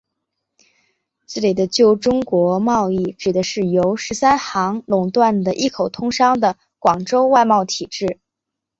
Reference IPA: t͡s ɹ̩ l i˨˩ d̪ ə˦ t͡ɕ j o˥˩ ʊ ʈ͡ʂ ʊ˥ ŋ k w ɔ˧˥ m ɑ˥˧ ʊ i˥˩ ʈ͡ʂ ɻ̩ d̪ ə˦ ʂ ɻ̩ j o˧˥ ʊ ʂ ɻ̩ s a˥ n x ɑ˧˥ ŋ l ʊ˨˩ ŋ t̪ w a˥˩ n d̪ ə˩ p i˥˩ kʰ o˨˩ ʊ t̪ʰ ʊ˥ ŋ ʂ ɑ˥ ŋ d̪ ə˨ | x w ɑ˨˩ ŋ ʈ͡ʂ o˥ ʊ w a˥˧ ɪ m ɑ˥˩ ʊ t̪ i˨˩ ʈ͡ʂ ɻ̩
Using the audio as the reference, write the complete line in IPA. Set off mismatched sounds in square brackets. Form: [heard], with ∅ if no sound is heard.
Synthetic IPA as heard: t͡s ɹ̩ l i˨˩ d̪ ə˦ t͡ɕ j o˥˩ ʊ ʈ͡ʂ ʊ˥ ŋ k w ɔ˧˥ m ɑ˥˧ ʊ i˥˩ ʈ͡ʂ ɻ̩ d̪ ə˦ ʂ ɻ̩ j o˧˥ ʊ ʂ ɻ̩ s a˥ n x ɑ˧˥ ŋ l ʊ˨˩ ŋ t̪ w a˥˩ n d̪ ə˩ [ʔ] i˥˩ kʰ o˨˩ ʊ t̪ʰ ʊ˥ ŋ ʂ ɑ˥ ŋ d̪ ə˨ | [k] w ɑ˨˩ ŋ ʈ͡ʂ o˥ ʊ w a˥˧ ɪ m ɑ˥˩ ʊ [t̪ʰ] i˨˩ ʈ͡ʂ ɻ̩

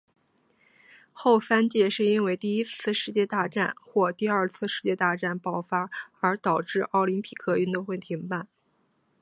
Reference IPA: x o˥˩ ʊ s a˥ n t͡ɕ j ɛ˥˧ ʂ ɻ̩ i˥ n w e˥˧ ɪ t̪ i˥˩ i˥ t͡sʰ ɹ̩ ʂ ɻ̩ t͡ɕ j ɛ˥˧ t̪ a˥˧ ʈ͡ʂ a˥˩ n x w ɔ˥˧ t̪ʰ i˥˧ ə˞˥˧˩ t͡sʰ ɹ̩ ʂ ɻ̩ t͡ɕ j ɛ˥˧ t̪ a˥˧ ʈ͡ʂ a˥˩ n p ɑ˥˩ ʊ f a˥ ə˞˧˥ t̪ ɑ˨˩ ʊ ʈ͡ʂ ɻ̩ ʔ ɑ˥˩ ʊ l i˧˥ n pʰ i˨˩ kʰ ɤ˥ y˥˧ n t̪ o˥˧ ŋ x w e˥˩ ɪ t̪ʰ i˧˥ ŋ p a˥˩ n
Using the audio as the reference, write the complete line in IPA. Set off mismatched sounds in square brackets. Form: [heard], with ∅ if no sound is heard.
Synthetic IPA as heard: x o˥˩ ʊ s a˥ n t͡ɕ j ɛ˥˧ ʂ ɻ̩ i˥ n w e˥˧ ɪ t̪ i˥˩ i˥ t͡sʰ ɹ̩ ʂ ɻ̩ t͡ɕ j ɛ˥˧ t̪ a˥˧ ʈ͡ʂ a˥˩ n x w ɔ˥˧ [t̪] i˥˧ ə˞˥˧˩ t͡sʰ ɹ̩ ʂ ɻ̩ t͡ɕ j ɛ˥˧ t̪ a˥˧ ʈ͡ʂ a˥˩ n p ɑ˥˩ ʊ f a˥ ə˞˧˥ t̪ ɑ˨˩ ʊ ʈ͡ʂ ɻ̩ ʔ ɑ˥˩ ʊ l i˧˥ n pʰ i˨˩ kʰ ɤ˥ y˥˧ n t̪ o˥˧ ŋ x w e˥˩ ɪ t̪ʰ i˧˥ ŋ p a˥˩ n

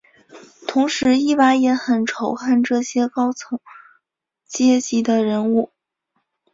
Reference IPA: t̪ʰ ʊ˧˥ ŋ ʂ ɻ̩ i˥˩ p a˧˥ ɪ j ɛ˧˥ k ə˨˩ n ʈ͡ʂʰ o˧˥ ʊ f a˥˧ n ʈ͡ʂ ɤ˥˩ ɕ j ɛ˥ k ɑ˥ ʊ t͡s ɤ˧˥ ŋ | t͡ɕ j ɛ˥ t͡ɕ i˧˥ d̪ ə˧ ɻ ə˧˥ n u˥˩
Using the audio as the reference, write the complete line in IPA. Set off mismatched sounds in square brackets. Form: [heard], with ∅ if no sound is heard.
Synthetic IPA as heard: t̪ʰ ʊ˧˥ ŋ ʂ ɻ̩ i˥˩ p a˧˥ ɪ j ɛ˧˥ [x] ə˨˩ n ʈ͡ʂʰ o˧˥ ʊ [x] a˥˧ n ʈ͡ʂ ɤ˥˩ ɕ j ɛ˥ k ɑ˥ ʊ [t͡sʰ] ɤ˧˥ ŋ | t͡ɕ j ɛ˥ t͡ɕ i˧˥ d̪ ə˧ ɻ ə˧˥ n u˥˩

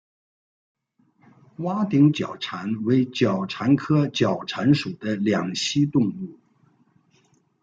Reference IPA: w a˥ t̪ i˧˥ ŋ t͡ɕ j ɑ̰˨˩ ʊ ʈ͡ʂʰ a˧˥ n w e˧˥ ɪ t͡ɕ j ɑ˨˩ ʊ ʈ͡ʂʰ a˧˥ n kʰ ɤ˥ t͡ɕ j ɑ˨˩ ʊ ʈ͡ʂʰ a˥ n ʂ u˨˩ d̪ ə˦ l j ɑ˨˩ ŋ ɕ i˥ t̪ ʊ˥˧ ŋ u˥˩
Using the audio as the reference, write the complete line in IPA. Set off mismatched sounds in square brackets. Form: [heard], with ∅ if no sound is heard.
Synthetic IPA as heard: w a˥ t̪ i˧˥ ŋ t͡ɕ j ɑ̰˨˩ ʊ ʈ͡ʂʰ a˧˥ n w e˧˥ ɪ t͡ɕ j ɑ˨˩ ʊ ʈ͡ʂʰ a˧˥ n kʰ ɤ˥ t͡ɕ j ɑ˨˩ ʊ ʈ͡ʂʰ [a˧˥] n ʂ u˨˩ d̪ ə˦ l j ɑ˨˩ ŋ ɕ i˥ t̪ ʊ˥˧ ŋ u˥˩

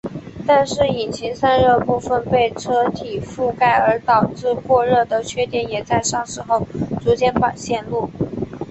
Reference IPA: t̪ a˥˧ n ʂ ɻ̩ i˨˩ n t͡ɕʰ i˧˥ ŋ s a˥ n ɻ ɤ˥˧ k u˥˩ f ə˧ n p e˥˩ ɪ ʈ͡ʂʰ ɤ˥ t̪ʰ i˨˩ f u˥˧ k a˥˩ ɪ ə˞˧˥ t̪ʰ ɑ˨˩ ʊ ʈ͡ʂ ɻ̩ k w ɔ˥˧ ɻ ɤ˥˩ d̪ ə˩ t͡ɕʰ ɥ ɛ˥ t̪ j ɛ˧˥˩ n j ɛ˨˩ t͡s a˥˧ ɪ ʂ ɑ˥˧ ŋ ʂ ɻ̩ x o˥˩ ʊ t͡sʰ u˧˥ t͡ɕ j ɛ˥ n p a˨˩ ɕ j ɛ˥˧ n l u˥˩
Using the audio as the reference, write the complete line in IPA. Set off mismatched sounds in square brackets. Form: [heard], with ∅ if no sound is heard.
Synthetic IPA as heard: t̪ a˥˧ n ʂ ɻ̩ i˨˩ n t͡ɕʰ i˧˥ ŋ s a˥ n ɻ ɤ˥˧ [p] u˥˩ f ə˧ n p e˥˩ ɪ ʈ͡ʂʰ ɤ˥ t̪ʰ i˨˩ f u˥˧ k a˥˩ ɪ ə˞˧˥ [t̪] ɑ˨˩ ʊ ʈ͡ʂ ɻ̩ k w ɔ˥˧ ɻ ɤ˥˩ d̪ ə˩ t͡ɕʰ ɥ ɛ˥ t̪ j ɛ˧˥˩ n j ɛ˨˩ t͡s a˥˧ ɪ ʂ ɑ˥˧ ŋ ʂ ɻ̩ x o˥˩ ʊ [t͡s] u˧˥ t͡ɕ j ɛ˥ n p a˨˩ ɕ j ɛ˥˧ n l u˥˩

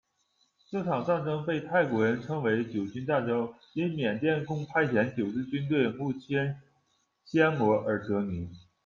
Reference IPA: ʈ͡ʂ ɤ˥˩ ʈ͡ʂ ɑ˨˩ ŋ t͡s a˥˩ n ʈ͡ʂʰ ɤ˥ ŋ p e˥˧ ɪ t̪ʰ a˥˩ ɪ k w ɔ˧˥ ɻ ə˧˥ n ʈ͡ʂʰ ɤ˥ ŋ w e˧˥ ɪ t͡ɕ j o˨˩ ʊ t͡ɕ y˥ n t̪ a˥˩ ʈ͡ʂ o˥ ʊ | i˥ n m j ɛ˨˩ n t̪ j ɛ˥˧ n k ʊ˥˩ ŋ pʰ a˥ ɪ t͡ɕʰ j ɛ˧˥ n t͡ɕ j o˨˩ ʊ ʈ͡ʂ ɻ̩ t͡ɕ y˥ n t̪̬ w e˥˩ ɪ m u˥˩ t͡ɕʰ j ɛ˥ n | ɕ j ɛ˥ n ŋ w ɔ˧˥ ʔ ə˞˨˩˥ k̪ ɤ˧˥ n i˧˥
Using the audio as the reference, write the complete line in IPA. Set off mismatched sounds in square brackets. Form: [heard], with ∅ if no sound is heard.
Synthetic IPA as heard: ʈ͡ʂ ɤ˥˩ [ʈ͡ʂʰ] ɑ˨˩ ŋ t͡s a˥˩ n [ʈ͡ʂ] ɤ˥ ŋ p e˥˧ ɪ t̪ʰ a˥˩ ɪ k w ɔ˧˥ ɻ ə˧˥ n ʈ͡ʂʰ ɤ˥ ŋ w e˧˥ ɪ t͡ɕ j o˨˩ ʊ t͡ɕ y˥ n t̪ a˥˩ ʈ͡ʂ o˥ ʊ | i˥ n m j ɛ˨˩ n t̪ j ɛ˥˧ n k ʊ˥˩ ŋ pʰ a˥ ɪ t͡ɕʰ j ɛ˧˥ n t͡ɕ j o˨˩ ʊ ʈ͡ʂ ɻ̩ t͡ɕ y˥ n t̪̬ w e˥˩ ɪ m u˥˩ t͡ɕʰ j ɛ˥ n | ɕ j ɛ˥ n [m] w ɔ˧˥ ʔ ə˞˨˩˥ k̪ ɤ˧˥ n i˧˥

